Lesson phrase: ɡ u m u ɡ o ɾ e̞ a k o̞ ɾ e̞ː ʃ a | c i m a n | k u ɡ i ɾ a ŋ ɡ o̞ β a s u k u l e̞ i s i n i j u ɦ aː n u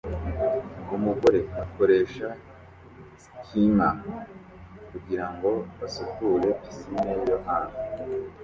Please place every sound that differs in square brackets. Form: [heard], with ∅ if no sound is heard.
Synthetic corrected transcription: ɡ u m u ɡ o ɾ e̞ a k o̞ ɾ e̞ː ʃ a | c i m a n | k u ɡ i ɾ a ŋ ɡ o̞ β a s u k u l e̞ i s i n [e] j [o] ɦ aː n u